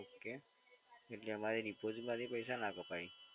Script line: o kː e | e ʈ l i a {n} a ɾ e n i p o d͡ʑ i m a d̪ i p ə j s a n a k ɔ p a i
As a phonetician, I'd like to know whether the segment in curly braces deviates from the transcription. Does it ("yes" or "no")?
yes